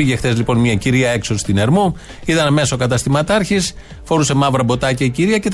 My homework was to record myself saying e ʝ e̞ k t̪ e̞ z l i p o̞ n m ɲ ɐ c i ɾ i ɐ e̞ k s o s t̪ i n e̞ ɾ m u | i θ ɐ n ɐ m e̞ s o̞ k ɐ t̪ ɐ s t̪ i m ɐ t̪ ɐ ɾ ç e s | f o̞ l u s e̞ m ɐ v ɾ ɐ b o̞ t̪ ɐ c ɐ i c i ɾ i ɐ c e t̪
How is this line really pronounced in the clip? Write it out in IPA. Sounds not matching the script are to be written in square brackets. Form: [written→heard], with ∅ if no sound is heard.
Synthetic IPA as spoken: [e→i] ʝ e̞ [k→x] t̪ e̞ z l i p o̞ n m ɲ ɐ c i ɾ i ɐ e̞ k s o s t̪ i n e̞ ɾ m u | i [θ→ð] ɐ n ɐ m e̞ s o̞ k ɐ t̪ ɐ s t̪ i m ɐ t̪ ɐ ɾ ç [e→i] s | f o̞ [l→ɾ] u s e̞ m ɐ v ɾ ɐ b o̞ t̪ ɐ c ɐ i c i ɾ i ɐ c e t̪